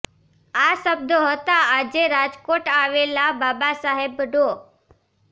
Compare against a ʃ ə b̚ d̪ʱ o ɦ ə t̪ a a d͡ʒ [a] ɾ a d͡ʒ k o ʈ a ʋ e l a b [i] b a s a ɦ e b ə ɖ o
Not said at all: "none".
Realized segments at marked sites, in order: e, a

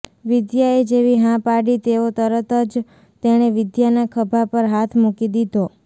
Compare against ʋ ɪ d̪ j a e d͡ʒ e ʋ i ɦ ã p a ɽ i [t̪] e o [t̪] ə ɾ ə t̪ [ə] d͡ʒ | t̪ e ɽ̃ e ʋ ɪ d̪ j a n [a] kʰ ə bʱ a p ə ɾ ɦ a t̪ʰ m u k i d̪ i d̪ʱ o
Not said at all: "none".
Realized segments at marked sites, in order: t̪, t̪, ə, a

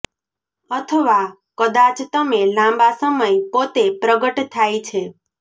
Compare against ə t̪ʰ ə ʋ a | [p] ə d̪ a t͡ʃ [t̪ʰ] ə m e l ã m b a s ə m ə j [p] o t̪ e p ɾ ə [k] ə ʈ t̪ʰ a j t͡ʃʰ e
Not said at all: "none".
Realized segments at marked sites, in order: k, t̪, p, ɡ

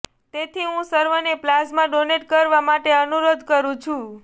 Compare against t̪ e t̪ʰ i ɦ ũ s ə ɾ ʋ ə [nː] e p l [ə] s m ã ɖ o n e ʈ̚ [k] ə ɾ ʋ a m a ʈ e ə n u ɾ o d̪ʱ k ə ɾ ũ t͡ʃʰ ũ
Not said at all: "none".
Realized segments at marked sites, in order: n, a, k

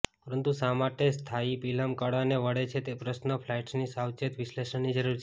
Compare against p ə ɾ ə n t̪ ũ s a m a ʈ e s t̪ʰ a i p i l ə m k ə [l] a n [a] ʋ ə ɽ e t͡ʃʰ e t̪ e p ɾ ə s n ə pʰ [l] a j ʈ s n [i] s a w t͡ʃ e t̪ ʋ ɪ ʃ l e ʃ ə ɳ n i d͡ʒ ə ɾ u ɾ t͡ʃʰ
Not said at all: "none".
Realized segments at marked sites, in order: ɽ, e, l, i

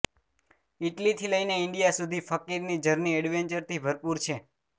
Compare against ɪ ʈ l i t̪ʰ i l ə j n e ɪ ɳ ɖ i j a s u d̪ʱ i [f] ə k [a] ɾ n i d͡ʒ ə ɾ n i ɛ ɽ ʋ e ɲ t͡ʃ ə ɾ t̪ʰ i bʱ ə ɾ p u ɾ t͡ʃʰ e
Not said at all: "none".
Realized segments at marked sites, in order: f, i

